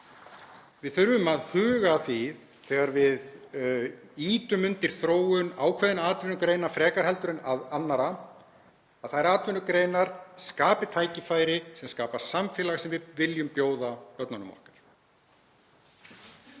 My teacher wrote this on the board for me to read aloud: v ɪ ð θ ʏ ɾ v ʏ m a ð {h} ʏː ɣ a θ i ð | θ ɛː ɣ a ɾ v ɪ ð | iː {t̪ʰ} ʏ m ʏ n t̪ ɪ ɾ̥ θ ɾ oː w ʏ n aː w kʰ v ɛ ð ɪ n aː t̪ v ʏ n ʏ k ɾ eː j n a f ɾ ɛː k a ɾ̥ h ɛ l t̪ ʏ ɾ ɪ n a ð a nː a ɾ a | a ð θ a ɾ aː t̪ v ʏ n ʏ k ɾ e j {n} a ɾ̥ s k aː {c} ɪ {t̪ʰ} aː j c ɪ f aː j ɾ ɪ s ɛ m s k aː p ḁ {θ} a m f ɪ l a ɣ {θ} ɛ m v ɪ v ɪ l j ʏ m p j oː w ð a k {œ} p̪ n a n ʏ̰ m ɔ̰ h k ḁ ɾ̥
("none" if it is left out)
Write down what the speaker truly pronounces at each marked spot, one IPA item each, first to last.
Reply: h, t̪, n, p, t̪ʰ, s, s, œ

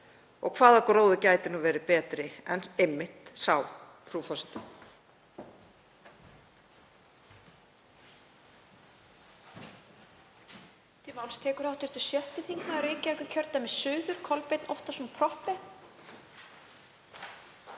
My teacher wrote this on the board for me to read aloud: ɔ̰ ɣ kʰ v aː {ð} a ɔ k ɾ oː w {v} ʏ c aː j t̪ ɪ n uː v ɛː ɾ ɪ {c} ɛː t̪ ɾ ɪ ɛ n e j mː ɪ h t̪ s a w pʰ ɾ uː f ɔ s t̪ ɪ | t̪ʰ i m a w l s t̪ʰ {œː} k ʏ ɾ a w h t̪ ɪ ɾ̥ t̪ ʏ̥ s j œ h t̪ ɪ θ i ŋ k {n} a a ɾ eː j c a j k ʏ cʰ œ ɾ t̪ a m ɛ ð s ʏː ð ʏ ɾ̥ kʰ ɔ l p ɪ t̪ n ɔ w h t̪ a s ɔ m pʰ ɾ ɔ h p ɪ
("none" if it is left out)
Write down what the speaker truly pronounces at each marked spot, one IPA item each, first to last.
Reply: ð, ð, p, ɛː, n

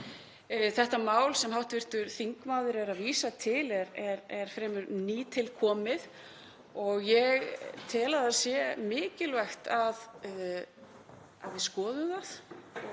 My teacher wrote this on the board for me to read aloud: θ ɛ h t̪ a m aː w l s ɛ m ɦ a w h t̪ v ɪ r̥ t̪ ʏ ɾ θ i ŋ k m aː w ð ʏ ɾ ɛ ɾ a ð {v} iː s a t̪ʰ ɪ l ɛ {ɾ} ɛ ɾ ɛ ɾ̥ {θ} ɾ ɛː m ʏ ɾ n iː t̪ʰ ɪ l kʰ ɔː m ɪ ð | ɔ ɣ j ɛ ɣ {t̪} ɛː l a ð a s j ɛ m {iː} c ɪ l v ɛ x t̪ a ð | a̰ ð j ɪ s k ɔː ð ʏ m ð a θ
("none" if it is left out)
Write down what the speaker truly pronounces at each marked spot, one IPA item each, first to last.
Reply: v, ɾ, f, t̪ʰ, ɪː

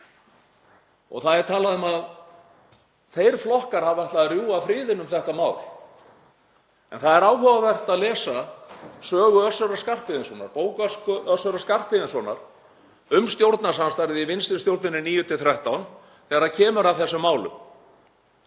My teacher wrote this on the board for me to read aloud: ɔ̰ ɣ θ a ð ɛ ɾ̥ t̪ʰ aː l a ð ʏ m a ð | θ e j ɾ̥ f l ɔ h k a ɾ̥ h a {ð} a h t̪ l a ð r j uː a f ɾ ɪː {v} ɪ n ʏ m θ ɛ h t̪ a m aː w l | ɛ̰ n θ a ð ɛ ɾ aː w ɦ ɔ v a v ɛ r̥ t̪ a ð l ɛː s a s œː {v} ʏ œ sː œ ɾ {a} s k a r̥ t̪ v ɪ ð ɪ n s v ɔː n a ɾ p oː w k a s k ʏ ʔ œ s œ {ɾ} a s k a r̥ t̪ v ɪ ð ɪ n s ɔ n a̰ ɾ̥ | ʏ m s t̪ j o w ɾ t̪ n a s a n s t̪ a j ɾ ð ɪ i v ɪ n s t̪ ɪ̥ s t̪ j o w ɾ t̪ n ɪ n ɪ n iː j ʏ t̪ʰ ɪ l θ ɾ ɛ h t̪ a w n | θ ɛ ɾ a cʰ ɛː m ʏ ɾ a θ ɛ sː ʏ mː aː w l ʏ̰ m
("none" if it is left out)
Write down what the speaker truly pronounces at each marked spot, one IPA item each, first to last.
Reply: v, ð, ɣ, a, ɾ

